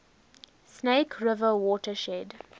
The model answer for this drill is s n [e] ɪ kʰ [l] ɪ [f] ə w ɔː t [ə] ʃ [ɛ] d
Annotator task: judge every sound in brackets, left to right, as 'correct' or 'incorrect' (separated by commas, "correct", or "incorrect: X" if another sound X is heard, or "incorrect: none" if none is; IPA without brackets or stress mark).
correct, incorrect: ɹ, incorrect: v, correct, correct